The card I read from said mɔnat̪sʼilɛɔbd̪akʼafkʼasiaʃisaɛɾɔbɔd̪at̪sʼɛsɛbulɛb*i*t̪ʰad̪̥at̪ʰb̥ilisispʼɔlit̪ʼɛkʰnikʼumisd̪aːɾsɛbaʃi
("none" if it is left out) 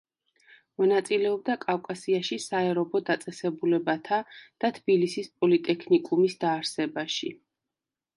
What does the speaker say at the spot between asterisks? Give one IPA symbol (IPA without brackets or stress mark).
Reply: a